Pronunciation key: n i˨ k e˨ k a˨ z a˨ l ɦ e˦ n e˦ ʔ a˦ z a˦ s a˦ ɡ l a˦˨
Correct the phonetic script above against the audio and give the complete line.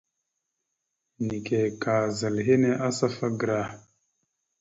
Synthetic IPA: n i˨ k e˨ k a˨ z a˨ l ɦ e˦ n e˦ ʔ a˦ s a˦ f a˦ ɡ ɾ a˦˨